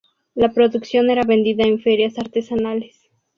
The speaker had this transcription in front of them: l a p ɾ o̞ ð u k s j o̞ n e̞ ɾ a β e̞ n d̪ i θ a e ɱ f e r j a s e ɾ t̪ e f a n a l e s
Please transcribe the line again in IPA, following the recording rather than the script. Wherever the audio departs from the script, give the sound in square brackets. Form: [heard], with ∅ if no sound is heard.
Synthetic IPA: l a p ɾ o̞ ð u k s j o̞ n e̞ ɾ a β e̞ n d̪ i [ð] a e ɱ f e [ɾ] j a s [a] ɾ t̪ e [s] a n a l e s